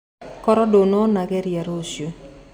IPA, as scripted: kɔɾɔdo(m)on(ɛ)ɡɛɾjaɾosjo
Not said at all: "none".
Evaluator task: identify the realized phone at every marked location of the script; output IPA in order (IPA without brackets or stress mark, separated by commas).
n, a